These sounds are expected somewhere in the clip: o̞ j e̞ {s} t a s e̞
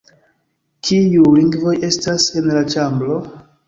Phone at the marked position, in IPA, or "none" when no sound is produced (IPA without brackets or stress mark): s